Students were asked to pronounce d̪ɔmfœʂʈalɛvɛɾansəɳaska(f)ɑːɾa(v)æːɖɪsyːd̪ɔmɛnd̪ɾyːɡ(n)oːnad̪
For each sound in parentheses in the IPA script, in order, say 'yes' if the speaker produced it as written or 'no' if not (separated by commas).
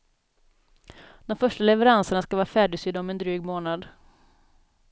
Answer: no, no, no